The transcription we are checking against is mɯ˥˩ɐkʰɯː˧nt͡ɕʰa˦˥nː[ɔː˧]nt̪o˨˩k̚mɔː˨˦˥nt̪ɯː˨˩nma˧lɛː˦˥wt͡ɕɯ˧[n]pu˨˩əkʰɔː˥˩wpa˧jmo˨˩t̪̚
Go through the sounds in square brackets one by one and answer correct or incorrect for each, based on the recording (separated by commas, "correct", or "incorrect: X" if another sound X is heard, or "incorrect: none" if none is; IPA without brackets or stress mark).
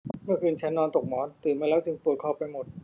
correct, incorrect: ŋ